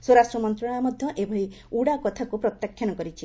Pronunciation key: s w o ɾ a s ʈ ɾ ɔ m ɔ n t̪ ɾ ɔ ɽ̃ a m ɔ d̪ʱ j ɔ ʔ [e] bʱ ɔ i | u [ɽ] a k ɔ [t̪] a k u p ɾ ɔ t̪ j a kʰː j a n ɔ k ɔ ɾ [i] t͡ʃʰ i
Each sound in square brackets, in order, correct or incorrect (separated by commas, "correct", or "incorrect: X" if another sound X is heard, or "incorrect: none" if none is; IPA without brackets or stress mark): correct, correct, incorrect: t̪ʰ, correct